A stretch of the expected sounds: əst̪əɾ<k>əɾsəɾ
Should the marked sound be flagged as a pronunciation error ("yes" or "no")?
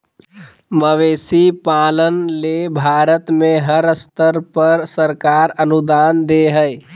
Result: yes